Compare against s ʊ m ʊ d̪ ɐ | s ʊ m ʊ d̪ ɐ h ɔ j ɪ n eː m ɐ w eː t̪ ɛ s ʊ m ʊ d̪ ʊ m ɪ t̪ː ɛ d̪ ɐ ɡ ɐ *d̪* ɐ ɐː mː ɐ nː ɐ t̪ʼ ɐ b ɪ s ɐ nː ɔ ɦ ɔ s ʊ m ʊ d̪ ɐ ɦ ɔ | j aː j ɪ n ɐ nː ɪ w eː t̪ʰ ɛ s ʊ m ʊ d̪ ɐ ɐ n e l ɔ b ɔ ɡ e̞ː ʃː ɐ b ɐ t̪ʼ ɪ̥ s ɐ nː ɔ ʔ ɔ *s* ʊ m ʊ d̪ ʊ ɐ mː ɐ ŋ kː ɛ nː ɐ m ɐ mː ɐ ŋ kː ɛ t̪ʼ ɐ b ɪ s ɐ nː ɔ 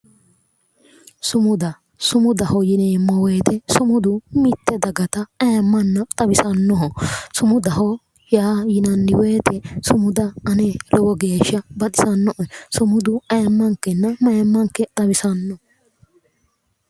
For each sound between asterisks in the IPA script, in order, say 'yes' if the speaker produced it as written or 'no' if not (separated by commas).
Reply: no, yes